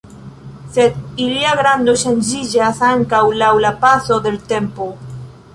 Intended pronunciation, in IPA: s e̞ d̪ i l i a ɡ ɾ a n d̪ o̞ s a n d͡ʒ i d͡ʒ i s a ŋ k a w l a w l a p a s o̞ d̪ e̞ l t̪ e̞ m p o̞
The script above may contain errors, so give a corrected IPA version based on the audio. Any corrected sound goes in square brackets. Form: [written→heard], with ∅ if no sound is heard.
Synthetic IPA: s e̞ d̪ i l i a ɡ ɾ a n d̪ o̞ [s→ʃ] a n d͡ʒ i d͡ʒ [i→a] s a ŋ k a w l a w l a p a s o̞ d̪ e̞ l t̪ e̞ m p o̞